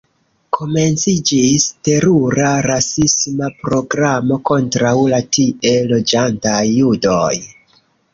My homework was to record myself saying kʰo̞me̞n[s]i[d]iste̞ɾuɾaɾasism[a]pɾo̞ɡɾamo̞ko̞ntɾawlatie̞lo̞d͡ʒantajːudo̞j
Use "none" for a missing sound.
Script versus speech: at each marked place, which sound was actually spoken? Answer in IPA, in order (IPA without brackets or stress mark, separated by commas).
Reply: t͡s, d͡ʒ, a